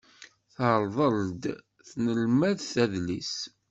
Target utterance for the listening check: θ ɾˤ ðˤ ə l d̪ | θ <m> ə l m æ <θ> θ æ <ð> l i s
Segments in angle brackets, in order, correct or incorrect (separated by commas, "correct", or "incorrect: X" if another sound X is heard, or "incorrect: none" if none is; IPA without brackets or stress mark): incorrect: n, incorrect: ð, correct